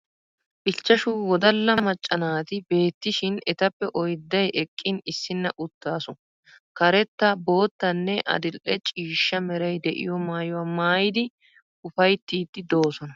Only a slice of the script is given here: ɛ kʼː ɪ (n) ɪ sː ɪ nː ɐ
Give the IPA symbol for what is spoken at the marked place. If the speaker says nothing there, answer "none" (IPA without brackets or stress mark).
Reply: n